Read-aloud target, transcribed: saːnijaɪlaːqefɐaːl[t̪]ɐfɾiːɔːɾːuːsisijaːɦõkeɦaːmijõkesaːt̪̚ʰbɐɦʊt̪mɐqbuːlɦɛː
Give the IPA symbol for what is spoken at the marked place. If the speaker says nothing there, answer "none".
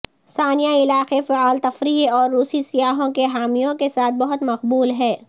t̪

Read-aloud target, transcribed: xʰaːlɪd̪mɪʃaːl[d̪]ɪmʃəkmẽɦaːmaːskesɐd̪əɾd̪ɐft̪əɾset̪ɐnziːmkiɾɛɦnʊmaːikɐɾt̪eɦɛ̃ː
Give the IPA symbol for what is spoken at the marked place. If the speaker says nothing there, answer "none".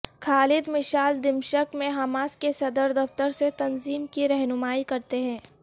d̪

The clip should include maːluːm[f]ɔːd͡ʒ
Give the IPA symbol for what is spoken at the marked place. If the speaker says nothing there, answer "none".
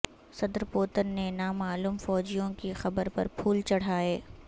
f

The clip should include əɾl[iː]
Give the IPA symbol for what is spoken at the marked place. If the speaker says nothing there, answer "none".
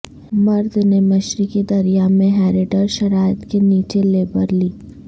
iː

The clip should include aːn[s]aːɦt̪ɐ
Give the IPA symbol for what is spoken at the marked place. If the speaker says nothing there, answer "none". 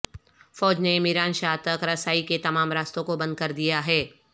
ʃ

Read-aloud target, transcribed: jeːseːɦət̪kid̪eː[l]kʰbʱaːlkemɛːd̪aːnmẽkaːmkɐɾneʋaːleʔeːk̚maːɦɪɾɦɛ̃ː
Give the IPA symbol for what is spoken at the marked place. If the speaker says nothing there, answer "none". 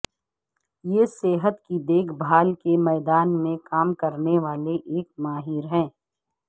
none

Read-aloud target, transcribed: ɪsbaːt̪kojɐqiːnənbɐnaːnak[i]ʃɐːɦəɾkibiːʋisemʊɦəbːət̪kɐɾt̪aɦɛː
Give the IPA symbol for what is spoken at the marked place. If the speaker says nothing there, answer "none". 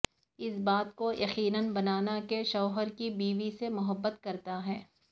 e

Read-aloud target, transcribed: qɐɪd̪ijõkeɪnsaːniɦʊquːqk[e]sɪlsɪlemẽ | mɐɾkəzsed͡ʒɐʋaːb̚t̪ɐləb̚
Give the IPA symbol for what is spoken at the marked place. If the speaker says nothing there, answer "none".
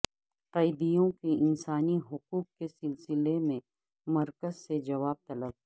e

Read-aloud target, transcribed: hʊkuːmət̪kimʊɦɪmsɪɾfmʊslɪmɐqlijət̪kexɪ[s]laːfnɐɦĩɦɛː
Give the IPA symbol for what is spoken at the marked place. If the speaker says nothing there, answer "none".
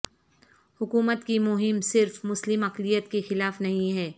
none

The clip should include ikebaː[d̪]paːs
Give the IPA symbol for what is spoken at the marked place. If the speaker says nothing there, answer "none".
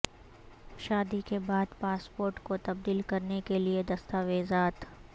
d̪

